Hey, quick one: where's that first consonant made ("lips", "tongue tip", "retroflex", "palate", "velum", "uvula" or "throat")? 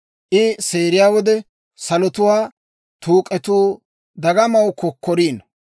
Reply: throat